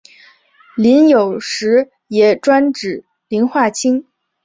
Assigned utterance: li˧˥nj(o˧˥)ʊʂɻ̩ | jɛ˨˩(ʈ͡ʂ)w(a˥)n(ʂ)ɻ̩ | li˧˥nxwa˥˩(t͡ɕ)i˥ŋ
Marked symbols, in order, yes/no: no, yes, yes, no, no

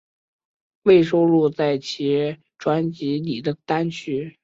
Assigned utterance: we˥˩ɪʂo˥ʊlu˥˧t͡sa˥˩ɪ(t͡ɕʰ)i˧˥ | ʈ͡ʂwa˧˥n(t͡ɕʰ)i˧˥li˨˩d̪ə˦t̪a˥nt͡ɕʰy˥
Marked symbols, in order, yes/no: yes, no

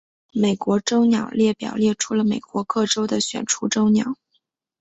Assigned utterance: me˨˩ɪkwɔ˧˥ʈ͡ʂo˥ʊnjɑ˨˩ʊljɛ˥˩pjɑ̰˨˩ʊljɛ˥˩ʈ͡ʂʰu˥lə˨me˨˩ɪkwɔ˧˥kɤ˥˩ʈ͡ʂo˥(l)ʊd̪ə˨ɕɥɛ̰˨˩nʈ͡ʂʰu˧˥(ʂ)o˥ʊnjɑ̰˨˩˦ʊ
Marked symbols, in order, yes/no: no, no

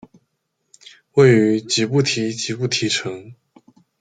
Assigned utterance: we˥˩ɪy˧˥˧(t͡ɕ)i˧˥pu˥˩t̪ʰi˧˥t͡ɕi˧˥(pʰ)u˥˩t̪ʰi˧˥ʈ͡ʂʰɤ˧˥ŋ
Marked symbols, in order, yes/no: yes, no

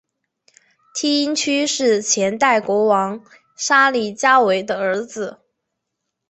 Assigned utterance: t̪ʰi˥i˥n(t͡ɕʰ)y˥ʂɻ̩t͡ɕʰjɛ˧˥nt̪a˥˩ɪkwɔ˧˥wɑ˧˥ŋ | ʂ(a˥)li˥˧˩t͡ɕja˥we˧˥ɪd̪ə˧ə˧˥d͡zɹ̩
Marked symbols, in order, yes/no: yes, yes

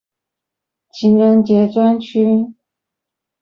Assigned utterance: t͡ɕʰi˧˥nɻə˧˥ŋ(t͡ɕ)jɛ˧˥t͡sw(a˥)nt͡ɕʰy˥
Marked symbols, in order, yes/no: yes, yes

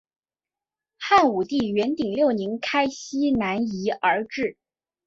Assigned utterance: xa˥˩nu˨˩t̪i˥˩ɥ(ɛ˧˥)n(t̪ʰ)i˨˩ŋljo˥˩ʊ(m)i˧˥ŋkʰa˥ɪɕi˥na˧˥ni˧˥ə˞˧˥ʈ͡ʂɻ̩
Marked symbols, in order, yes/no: yes, no, no

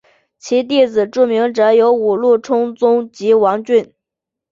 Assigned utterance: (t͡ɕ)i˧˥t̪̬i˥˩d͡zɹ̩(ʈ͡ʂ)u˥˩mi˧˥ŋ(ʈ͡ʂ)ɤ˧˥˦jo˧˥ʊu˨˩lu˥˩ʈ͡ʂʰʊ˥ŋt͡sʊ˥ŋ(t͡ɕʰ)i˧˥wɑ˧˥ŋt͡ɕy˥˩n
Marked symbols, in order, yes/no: no, yes, yes, no

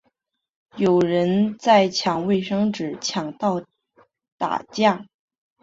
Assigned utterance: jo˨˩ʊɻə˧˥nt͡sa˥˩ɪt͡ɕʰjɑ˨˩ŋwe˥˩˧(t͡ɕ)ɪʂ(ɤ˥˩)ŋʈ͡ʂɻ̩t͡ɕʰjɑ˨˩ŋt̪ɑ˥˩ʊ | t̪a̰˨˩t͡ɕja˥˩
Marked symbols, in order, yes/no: no, no

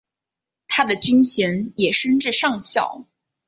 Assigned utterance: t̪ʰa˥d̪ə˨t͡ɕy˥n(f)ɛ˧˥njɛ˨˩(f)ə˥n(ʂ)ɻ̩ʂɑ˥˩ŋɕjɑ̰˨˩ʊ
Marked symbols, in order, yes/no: no, no, no

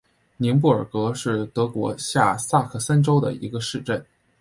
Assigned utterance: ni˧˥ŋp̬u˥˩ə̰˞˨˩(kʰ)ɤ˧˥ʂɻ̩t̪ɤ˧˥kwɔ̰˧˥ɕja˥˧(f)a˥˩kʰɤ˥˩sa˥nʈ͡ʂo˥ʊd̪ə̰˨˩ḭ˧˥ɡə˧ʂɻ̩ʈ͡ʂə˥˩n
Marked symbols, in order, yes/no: no, no

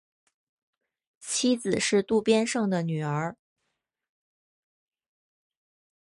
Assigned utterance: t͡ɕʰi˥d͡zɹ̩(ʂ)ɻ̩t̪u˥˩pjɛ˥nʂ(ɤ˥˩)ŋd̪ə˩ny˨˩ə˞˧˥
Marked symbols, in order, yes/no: yes, yes

